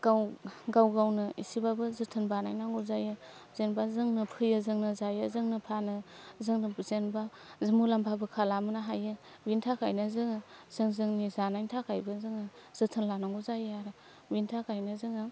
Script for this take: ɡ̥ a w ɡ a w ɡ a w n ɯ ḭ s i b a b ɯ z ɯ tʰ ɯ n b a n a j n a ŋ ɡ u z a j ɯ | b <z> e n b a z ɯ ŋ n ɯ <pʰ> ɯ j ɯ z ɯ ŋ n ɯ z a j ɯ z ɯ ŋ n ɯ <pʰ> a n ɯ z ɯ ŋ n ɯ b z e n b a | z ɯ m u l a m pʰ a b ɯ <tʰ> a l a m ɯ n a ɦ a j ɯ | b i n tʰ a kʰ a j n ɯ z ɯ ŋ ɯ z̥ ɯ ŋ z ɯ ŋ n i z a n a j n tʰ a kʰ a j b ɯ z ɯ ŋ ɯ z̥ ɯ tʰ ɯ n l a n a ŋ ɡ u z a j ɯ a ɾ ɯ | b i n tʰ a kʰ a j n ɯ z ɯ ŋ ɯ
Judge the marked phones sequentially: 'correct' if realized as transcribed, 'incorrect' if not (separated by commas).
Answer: correct, correct, correct, incorrect